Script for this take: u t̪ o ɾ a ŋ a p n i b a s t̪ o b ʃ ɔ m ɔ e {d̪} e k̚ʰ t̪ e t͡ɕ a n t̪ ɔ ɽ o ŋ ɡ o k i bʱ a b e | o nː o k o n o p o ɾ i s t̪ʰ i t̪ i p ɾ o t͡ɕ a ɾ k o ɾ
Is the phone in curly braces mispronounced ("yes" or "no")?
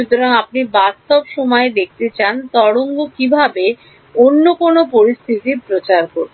no